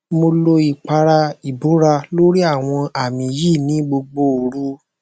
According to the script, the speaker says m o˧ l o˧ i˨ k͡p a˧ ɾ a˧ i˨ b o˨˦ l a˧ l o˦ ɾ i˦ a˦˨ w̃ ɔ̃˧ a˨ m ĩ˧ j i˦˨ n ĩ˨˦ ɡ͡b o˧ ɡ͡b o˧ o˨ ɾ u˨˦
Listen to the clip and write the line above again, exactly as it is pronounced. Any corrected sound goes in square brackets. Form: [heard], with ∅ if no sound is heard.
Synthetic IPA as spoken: m o˧ l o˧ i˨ k͡p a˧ ɾ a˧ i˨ b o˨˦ [ɾ] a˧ l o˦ ɾ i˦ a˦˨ w̃ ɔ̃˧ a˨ m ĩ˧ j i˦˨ n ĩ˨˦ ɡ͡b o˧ ɡ͡b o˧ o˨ ɾ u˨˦